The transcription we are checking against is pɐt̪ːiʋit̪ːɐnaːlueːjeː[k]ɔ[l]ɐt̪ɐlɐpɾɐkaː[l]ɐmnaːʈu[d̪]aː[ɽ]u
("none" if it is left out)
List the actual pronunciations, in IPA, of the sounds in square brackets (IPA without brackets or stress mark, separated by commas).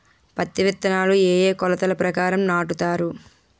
k, l, ɾ, t̪, ɾ